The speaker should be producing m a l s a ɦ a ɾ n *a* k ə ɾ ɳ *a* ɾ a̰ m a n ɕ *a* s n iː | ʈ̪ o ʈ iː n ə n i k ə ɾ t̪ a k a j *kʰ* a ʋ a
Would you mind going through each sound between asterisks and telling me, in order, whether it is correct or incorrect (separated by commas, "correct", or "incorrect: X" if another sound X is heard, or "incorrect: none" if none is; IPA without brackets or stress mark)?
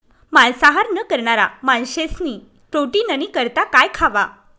incorrect: ə, correct, incorrect: e, correct